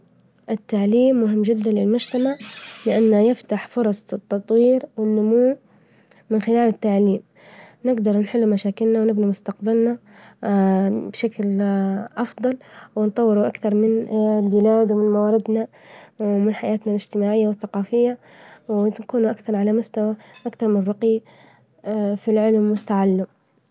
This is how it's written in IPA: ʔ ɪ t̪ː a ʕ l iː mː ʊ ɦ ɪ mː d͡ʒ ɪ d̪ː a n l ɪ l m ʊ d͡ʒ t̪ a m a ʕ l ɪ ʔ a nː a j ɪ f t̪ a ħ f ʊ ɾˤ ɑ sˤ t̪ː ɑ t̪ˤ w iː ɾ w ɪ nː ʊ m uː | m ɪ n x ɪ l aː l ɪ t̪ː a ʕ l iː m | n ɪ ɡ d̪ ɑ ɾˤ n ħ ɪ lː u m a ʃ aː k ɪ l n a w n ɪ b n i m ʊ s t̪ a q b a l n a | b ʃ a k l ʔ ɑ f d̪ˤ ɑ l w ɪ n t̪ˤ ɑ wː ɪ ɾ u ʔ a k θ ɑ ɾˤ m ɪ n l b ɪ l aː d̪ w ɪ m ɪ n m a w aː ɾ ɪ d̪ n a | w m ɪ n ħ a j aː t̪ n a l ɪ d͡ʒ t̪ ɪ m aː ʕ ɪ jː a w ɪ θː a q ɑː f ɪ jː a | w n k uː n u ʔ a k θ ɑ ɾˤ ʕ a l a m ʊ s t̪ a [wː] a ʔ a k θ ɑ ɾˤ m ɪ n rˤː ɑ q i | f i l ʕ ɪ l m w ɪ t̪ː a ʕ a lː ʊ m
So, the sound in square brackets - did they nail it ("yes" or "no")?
no